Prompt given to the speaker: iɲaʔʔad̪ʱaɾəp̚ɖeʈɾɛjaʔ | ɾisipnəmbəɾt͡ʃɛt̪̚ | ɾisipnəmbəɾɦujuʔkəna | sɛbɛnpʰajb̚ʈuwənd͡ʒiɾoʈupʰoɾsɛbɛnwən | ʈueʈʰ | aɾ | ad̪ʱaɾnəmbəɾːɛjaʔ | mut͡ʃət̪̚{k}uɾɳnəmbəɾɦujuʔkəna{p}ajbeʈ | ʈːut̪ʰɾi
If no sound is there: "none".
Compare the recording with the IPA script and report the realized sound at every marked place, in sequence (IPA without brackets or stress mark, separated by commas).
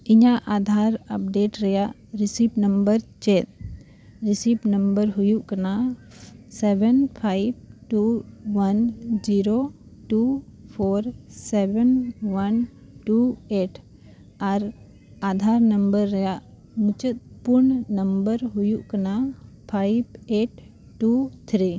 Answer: p, pʰ